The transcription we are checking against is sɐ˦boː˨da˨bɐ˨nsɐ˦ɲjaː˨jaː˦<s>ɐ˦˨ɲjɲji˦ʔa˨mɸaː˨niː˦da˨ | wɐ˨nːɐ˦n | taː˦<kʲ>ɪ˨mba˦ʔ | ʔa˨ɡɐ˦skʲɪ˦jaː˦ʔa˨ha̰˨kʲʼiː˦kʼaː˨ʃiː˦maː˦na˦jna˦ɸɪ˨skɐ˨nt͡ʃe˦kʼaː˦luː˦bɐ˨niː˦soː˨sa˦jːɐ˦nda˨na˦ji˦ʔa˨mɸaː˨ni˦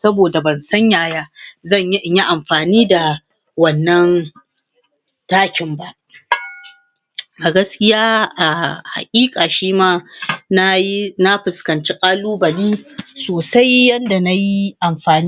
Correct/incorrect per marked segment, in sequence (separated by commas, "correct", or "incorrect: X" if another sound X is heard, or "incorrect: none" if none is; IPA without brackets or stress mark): incorrect: z, correct